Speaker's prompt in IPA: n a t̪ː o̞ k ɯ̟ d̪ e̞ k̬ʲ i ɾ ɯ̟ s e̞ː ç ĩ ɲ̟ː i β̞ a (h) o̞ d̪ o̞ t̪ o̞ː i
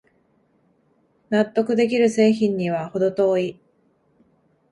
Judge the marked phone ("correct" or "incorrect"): correct